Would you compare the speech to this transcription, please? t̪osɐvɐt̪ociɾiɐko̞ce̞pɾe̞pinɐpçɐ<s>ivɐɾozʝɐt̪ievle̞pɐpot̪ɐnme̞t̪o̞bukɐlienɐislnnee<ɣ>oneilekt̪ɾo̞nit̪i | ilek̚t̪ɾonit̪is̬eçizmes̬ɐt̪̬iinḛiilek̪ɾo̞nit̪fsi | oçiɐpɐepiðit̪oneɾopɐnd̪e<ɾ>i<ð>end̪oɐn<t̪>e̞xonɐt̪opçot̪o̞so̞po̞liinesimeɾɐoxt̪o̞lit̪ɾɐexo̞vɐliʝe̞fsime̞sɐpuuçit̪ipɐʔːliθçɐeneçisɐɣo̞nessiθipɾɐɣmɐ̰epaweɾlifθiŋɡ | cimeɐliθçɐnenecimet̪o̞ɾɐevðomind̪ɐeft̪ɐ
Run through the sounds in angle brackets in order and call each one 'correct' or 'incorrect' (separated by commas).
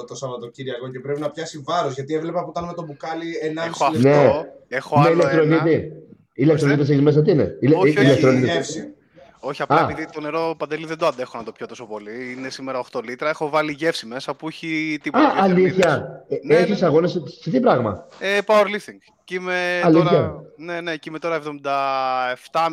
correct, incorrect, incorrect, correct, incorrect